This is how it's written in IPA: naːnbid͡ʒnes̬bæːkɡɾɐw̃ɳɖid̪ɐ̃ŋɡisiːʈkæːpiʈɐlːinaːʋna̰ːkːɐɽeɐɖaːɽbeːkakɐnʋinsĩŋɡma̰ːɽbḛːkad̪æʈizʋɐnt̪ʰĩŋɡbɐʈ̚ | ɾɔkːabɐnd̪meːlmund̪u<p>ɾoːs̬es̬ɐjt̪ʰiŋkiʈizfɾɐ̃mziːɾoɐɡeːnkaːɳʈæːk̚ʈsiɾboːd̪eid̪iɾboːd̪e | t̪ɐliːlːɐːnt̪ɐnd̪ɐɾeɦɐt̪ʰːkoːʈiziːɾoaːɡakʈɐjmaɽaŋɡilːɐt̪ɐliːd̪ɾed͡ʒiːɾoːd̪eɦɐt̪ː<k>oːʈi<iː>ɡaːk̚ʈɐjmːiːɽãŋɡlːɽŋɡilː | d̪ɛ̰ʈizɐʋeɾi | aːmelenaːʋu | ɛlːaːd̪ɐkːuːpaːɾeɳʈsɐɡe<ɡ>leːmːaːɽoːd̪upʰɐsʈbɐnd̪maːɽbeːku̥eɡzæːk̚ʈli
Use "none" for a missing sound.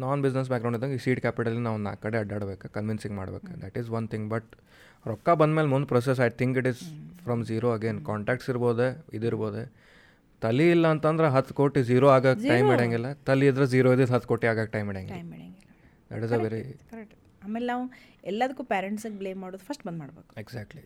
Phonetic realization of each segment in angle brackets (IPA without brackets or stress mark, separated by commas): p, k, aː, b